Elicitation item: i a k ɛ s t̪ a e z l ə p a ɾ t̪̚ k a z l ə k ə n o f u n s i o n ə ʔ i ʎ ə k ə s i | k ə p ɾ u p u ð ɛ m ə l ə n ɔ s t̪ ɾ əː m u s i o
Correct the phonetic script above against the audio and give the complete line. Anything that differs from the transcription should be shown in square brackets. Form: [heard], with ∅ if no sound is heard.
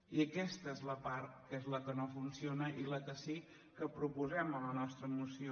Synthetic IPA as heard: i [ə] k ɛ s t̪ [ə] e z l ə p a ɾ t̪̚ k [e] z l ə k ə n o f u n s i o n ə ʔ i [l] ə k ə s i | k ə p ɾ u p u [z] ɛ m ə l ə n ɔ s t̪ ɾ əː m u s i o